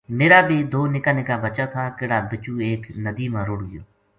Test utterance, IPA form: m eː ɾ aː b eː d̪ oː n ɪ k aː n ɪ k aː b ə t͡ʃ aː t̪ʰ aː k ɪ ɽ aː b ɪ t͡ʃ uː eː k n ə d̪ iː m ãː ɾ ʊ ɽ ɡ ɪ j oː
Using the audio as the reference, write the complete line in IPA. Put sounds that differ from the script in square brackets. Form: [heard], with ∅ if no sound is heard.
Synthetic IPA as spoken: m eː ɾ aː b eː d̪ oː n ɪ k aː n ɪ k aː b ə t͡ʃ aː t̪ʰ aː k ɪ ɽ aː b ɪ t͡ʃ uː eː k n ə d̪ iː m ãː ɾ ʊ ɽ ɡ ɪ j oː

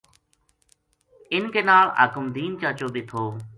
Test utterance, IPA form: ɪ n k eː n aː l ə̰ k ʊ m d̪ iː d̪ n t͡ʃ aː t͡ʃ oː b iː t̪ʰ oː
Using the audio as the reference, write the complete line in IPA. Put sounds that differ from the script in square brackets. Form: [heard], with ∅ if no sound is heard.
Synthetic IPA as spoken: ɪ n k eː n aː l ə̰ k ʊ m d̪ iː [∅] n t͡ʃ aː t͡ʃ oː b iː t̪ʰ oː

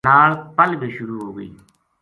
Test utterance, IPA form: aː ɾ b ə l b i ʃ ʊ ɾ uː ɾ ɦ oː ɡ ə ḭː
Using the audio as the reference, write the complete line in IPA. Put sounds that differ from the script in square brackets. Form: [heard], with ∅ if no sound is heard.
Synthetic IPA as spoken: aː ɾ [p] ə l b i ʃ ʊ ɾ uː [∅] ɦ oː ɡ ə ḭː

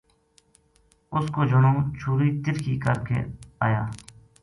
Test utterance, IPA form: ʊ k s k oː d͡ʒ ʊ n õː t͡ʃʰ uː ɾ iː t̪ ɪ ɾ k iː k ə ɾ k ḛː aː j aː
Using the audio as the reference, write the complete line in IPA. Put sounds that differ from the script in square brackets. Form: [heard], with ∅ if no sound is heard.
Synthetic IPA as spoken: ʊ [∅] s k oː d͡ʒ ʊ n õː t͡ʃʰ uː ɾ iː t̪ ɪ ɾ k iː k ə ɾ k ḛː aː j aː

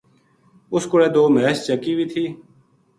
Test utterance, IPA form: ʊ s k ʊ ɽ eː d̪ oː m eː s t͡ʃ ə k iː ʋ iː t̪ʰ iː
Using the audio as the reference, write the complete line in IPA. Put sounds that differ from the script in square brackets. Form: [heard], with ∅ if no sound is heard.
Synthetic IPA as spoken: ʊ s k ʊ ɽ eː d̪ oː m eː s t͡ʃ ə k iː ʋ iː t̪ʰ iː

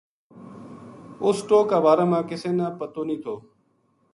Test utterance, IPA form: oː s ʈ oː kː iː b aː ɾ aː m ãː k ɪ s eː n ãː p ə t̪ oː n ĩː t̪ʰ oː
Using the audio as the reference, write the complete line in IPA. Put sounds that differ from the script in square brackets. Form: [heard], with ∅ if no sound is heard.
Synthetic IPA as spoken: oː s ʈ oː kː [aː] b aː ɾ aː m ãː k ɪ s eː n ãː p ə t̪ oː n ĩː t̪ʰ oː

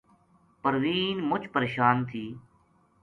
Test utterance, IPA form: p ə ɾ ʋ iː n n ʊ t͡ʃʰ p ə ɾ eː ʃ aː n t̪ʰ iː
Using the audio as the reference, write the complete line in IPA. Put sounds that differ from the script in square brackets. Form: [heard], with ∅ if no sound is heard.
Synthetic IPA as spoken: p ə ɾ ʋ iː n [m] ʊ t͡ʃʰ p ə ɾ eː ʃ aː n t̪ʰ iː

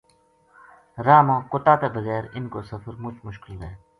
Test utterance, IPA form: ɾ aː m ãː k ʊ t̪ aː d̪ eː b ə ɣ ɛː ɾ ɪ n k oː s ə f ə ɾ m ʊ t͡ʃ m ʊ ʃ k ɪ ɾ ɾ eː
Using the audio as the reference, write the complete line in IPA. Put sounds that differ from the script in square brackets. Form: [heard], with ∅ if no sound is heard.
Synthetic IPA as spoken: ɾ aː m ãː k ʊ t̪ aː [t̪] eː b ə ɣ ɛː ɾ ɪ n k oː s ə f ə ɾ m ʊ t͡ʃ m ʊ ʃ k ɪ [l] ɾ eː

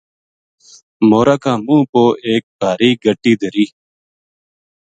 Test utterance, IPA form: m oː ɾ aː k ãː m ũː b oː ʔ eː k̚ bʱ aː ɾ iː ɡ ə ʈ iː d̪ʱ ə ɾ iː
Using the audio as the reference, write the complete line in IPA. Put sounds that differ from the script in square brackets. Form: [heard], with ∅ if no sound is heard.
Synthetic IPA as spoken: m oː ɾ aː k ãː m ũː [p] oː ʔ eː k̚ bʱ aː ɾ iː ɡ ə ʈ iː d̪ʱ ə ɾ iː

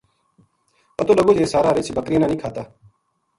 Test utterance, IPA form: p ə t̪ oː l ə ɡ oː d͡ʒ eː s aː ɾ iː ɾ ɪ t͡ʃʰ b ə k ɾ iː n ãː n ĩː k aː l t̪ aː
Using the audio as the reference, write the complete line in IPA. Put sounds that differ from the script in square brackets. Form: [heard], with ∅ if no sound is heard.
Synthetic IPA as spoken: p ə t̪ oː l ə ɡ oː d͡ʒ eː s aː ɾ [aː] ɾ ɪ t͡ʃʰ b ə k ɾ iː n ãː n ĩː [kʰ] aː [∅] t̪ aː

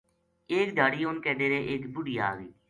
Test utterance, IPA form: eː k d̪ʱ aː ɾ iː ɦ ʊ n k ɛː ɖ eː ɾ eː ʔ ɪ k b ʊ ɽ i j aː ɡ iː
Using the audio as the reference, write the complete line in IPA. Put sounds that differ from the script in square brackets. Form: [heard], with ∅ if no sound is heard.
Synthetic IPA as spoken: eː k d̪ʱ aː [ɽ] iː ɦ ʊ n k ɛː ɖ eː ɾ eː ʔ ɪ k b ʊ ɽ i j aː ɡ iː

